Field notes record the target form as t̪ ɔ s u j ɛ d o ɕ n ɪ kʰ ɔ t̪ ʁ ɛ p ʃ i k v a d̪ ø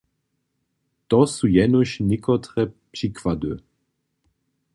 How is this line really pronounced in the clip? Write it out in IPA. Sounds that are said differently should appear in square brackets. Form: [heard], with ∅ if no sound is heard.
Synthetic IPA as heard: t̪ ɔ s u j ɛ [n] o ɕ n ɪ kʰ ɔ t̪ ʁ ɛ p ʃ i k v a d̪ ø